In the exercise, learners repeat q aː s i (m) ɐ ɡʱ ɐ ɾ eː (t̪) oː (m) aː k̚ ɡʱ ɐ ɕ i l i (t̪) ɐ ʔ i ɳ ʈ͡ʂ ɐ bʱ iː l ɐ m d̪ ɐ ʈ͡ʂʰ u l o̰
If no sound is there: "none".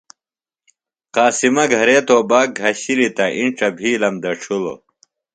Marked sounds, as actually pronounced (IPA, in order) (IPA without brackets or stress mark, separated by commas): m, t̪, b, t̪